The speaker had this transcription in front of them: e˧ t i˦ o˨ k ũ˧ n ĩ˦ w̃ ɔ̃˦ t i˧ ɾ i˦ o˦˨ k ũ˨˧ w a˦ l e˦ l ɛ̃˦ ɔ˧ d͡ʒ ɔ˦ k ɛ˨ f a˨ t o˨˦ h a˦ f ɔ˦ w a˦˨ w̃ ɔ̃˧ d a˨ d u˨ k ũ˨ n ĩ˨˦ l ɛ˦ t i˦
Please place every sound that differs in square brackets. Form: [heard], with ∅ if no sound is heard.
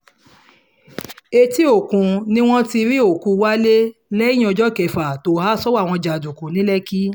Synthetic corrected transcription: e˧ t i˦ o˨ k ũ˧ n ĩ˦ w̃ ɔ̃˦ t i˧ ɾ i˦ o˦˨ k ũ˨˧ w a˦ l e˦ l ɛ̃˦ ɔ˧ d͡ʒ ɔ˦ k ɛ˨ f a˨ t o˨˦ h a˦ [s] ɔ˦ w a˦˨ w̃ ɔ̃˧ [d͡ʒ] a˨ d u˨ k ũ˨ n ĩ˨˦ l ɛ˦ [k] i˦